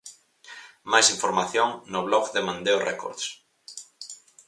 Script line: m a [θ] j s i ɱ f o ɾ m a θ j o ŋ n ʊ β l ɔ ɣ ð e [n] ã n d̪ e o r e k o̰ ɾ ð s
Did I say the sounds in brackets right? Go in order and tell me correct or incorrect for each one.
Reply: incorrect: none, incorrect: m

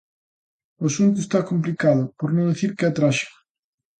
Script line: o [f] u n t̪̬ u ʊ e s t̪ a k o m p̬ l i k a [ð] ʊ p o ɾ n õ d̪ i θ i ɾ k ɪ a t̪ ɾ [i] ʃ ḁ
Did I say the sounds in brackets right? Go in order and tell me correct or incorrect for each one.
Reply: incorrect: s, correct, incorrect: a

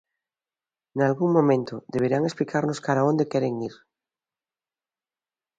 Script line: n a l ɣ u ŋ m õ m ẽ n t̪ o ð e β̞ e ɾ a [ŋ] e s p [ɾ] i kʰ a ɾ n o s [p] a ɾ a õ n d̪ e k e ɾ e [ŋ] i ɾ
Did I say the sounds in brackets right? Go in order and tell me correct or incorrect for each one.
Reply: correct, incorrect: l, incorrect: k, correct

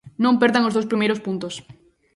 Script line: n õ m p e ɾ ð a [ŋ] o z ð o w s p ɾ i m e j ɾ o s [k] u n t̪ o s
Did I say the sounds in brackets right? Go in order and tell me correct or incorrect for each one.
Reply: correct, incorrect: p

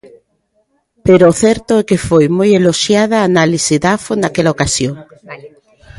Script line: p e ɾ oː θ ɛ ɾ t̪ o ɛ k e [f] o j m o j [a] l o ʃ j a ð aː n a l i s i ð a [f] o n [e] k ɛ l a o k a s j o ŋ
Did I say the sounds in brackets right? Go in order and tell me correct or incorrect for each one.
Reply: correct, incorrect: e, correct, incorrect: a

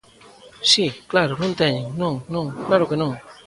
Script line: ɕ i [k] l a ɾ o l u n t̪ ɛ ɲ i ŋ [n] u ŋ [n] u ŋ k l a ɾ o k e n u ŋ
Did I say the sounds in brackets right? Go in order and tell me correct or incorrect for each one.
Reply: correct, correct, correct

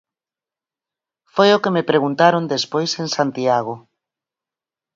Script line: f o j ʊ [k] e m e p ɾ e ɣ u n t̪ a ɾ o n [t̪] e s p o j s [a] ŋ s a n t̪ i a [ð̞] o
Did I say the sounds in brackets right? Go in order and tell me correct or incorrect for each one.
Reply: correct, incorrect: d̪, incorrect: e, incorrect: ɣ̞

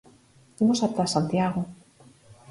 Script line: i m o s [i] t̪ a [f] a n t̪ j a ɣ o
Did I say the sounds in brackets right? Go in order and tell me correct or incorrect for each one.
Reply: incorrect: a, incorrect: s

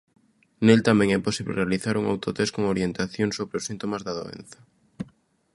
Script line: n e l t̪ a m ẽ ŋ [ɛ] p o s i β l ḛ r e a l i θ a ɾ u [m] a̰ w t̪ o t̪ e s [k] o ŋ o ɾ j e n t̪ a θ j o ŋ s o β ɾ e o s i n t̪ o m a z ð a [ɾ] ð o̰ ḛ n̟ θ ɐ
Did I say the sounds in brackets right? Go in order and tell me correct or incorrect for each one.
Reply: correct, incorrect: ŋ, correct, incorrect: none

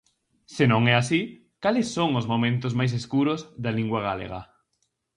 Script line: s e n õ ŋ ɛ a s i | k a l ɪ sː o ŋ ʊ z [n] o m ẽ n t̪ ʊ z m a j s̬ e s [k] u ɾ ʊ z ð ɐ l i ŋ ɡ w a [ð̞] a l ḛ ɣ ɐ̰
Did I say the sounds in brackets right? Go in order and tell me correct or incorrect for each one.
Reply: incorrect: m, correct, incorrect: ɣ̞

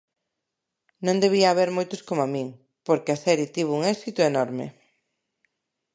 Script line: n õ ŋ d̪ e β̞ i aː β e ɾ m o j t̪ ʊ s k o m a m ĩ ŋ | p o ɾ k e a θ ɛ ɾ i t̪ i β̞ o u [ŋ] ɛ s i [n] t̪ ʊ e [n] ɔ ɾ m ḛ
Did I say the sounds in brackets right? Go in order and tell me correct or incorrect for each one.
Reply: correct, incorrect: none, correct

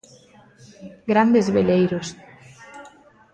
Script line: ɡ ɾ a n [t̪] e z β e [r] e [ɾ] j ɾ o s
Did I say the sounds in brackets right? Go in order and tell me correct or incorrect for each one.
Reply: incorrect: d̪, incorrect: l, incorrect: none

